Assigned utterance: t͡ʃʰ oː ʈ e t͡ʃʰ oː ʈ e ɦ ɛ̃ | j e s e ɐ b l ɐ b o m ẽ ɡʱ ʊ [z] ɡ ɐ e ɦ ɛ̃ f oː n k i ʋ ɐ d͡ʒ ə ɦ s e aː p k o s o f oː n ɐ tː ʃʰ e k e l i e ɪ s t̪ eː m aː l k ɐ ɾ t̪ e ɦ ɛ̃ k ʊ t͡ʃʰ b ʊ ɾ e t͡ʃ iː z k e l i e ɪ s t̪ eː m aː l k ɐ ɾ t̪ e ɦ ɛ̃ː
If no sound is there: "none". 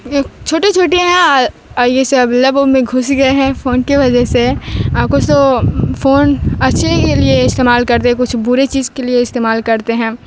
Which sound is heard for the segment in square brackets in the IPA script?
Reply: s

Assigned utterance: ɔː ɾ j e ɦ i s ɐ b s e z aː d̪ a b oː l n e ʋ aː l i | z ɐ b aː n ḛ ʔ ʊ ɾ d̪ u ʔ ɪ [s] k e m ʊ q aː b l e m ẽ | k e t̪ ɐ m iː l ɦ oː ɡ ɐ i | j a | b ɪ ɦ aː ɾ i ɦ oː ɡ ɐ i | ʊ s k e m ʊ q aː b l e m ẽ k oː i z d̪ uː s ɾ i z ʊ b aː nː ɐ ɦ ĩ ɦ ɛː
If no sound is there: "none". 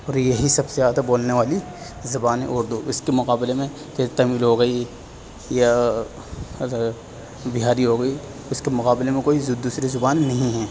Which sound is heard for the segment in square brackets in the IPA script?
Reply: s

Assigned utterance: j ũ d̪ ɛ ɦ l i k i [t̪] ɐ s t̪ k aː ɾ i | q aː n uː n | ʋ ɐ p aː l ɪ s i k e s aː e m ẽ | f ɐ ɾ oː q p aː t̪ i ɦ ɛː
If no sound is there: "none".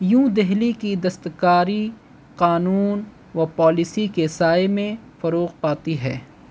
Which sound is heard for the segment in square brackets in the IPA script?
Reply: d̪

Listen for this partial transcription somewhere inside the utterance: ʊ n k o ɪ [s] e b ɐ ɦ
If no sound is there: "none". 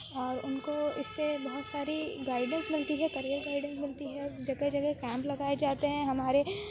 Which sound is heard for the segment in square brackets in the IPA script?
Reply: sː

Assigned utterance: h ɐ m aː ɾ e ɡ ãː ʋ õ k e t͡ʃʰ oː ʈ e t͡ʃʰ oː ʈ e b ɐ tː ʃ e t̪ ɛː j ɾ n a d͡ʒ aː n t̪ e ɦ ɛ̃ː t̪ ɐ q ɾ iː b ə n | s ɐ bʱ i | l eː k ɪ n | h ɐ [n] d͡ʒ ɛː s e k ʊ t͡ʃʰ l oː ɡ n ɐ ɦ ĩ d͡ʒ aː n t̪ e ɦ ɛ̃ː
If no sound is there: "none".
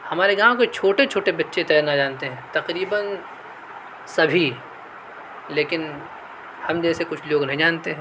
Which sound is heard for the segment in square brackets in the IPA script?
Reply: m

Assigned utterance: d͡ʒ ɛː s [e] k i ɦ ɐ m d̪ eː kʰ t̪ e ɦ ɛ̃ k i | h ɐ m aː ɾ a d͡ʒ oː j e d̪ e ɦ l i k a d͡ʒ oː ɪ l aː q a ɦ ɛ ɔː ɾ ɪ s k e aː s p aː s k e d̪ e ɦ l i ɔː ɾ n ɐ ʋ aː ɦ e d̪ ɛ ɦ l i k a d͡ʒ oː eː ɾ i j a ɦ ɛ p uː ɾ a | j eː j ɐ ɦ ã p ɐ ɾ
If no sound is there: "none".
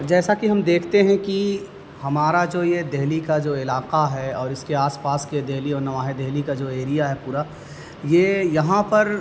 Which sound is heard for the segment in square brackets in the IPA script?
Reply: a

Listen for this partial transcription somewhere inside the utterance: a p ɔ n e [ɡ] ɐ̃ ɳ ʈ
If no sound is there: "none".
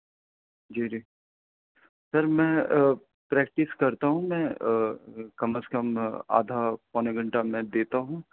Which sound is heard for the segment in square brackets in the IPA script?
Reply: ɡ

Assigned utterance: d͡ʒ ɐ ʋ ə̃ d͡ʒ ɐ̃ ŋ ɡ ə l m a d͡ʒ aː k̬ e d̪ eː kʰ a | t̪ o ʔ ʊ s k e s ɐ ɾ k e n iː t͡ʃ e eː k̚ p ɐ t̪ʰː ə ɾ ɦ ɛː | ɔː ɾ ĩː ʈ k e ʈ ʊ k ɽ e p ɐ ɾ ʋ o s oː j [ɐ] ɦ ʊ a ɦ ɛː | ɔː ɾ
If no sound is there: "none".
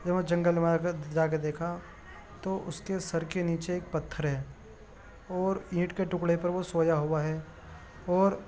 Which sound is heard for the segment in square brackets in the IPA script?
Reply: a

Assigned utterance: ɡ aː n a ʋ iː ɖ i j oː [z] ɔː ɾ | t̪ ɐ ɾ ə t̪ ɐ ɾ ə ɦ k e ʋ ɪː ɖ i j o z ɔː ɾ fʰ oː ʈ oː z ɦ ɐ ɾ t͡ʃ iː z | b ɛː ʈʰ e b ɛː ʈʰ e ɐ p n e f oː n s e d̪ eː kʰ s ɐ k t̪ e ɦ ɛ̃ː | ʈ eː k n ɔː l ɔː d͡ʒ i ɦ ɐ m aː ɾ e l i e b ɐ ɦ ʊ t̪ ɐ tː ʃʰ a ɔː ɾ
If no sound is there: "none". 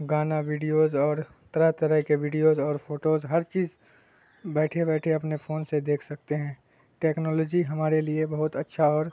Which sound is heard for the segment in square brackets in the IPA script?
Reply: z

